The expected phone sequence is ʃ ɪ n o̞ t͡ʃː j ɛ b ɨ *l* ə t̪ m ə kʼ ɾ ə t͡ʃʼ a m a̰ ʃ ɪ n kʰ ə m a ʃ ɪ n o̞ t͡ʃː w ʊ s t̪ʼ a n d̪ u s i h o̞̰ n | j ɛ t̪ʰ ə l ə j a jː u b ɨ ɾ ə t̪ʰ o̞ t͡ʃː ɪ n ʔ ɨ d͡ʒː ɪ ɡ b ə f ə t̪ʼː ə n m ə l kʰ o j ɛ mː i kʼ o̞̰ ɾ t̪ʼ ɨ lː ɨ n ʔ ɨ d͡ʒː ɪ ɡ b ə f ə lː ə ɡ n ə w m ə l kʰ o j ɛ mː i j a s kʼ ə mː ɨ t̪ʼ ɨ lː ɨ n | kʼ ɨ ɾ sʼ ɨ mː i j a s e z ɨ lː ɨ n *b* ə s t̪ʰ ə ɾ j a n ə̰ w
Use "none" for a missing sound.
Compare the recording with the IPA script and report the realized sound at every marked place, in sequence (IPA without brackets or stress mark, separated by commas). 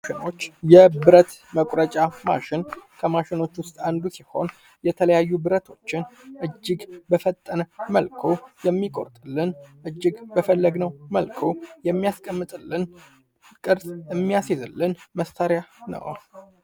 ɾ, m